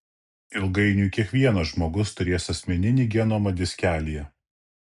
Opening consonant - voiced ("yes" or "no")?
yes